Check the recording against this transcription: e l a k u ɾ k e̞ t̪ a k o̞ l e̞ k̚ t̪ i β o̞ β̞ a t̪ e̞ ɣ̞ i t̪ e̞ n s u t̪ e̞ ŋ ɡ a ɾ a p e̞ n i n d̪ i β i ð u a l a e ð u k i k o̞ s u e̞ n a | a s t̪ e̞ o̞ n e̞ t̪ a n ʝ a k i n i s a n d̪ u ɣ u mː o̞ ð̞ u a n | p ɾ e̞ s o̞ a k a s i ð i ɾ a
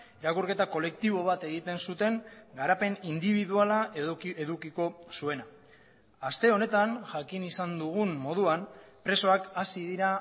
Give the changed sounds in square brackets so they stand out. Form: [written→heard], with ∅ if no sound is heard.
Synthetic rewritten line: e [l→ɾ] a k u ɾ k e̞ t̪ a k o̞ l e̞ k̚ t̪ i β o̞ β̞ a t̪ e̞ ɣ̞ i t̪ e̞ n s u t̪ e̞ ŋ ɡ a ɾ a p e̞ n i n d̪ i β i ð u a l a e ð u k i k o̞ s u e̞ n a | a s t̪ e̞ o̞ n e̞ t̪ a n ʝ a k i n i s a n d̪ u ɣ u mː o̞ ð̞ u a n | p ɾ e̞ s o̞ a k a s i ð i ɾ a